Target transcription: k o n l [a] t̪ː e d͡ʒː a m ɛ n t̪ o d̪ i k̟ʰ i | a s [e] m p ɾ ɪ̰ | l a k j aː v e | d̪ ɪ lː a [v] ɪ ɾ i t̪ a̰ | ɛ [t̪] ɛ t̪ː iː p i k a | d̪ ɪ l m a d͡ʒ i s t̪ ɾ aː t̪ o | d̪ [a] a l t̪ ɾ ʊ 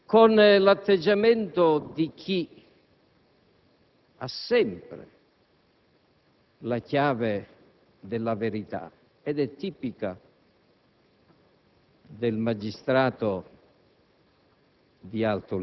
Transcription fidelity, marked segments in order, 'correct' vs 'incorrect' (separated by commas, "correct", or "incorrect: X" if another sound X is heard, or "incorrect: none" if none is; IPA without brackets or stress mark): correct, incorrect: ɛ, correct, incorrect: d̪, incorrect: i